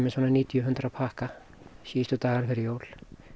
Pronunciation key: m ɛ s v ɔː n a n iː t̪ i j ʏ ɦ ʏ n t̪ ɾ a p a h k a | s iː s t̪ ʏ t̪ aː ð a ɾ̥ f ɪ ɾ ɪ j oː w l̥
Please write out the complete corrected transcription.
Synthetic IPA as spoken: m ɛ s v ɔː n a n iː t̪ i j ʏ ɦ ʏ n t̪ ɾ a pʰ a h k a | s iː s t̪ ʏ t̪ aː ɣ a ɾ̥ f ɪ ɾ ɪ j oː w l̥

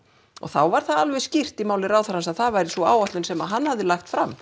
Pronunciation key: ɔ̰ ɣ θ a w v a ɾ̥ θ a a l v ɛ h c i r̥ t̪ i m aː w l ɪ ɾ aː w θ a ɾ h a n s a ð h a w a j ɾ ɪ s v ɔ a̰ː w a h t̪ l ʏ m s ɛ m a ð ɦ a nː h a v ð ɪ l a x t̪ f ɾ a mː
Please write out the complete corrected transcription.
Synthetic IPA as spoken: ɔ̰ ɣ θ a w v a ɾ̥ θ a a l v ɛ s c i r̥ t̪ i m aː w l ɪ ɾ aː w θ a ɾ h a n s a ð θ a v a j ɾ ɪ s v ɔ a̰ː w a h t̪ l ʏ n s ɛ m a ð ɦ a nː h a v ð ɪ l a x t̪ f ɾ a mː

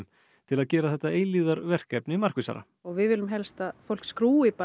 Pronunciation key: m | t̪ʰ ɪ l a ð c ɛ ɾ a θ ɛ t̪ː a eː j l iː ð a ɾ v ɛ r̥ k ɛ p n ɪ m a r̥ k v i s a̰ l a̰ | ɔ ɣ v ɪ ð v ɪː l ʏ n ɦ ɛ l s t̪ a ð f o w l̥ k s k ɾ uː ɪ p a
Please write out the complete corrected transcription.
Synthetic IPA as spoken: m | t̪ʰ ɪ l a ð c ɛː ɾ a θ ɛ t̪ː a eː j l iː ð a ɾ v ɛ r̥ k ɛ p n ɪ m a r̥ k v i s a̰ ɾ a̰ | ɔ ɣ v ɪ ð v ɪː l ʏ m ɦ ɛ l s t̪ a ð f o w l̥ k s k ɾ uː ɪ p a

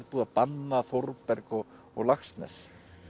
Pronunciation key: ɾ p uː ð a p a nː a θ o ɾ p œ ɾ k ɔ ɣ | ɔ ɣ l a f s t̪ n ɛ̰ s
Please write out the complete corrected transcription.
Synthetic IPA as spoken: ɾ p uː ð a p a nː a θ o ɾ p ɛ ɾ k ɔ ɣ | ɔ ɣ l a x s t̪ n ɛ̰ s

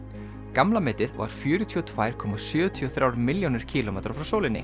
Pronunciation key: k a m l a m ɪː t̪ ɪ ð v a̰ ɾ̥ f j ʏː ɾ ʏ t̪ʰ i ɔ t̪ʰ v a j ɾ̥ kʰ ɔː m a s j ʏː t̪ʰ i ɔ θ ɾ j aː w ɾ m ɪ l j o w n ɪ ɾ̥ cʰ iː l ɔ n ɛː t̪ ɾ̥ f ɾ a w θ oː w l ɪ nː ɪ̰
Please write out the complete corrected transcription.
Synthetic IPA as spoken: k a m l a m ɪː t̪ ɪ ð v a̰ ɾ̥ f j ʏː ɾ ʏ t̪ʰ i ɔ t̪ʰ v a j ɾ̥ kʰ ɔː m a s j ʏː t̪ʰ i ɔ θ ɾ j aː w ɾ m ɪ l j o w n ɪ ɾ̥ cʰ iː l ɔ m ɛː t̪ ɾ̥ f ɾ a w s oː w l ɪ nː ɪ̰

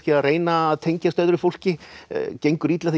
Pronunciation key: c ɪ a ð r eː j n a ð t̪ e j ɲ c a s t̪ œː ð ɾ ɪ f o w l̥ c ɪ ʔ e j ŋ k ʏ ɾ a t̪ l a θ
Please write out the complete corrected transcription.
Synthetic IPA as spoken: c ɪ a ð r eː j n a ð t̪ʰ e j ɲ c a s t̪ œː ð ɾ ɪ f o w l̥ c ɪ c e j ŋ k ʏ ɾ i t̪ l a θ

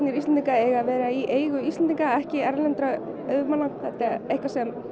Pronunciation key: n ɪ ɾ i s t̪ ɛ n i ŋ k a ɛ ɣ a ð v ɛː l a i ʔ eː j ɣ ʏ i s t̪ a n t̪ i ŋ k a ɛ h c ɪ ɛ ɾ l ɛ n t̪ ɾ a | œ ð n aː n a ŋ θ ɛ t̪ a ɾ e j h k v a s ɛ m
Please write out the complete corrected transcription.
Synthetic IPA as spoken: n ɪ ɾ i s t̪ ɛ n i ŋ k a ɛ ɣ a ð v ɛː ɾ a i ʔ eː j ɣ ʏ i s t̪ ɛ n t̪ i ŋ k a ɛ h c ɪ ɛ ɾ l ɛ n t̪ ɾ a | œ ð m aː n a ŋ θ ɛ t̪ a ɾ e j h k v a s ɛ m

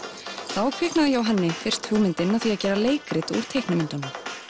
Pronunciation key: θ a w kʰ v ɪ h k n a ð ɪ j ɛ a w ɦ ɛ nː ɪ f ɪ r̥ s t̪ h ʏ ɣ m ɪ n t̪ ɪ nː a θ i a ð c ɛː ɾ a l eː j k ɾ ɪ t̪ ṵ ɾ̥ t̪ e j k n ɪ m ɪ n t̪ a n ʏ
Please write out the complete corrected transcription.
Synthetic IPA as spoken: θ a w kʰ v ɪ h k n a ð ɪ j ɛ a w ɦ ɛ nː ɪ f ɪ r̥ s t̪ h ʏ ɣ m ɪ n t̪ ɪ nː a θ i a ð c ɛː ɾ a l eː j k ɾ ɪ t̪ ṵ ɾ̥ t̪ʰ e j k n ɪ m ɪ n t̪ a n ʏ

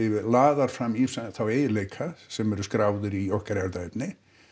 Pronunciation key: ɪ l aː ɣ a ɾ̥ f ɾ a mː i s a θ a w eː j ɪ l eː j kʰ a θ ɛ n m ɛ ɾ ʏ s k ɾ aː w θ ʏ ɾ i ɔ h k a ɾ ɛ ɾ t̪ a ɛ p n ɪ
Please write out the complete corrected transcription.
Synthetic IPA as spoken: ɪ l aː ð a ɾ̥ f ɾ a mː i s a θ a w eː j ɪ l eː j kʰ a s ɛ m ɛ ɾ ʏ s k ɾ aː w ð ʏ ɾ i ɔ h k a ɾ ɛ ɾ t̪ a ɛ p n ɪ

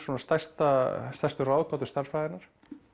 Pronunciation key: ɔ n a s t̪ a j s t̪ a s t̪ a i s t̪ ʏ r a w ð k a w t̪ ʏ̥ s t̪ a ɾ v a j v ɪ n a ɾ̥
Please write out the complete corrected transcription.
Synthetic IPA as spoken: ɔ n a s t̪ a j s t̪ a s t̪ a j s t̪ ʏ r a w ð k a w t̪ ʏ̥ s t̪ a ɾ f a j ð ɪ n a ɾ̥

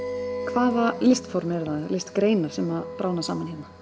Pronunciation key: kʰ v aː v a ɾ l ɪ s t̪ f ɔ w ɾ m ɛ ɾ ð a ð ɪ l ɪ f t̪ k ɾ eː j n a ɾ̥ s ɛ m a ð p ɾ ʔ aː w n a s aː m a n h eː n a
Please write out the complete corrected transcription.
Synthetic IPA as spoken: kʰ v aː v a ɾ l ɪ s t̪ f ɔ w ɾ m ɛ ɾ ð a ð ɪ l ɪ s t̪ k ɾ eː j n a ɾ̥ s ɛ m a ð p ɾ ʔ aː w n a s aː m a n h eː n a

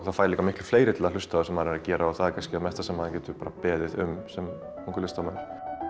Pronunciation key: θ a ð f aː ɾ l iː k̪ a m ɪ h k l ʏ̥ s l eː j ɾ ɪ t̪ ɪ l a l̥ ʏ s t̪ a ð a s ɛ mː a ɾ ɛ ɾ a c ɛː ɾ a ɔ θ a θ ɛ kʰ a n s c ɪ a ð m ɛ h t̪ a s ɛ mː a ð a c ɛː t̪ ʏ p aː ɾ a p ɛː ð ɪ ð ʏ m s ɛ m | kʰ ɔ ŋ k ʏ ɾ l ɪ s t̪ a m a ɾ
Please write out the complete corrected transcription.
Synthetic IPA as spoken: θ a ð f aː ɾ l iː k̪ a m ɪ h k l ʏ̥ f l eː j ɾ ɪ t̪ ɪ l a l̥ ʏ s t̪ a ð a s ɛ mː a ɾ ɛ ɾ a c ɛː ɾ a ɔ θ a ð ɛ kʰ a n s c ɪ a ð m ɛ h t̪ a s ɛ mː a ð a c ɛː t̪ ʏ p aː ɾ a p ɛː ð ɪ ð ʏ m s ɛ m | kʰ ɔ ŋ k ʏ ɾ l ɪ s t̪ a m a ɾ

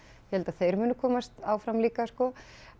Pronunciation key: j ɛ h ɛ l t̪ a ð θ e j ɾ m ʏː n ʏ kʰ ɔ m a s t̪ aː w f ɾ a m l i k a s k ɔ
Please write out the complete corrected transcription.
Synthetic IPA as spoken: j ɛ h ɛ l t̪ a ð θ e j ɾ m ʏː n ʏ kʰ ɔː m a s t̪ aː w f ɾ a m l iː k a s k ɔ

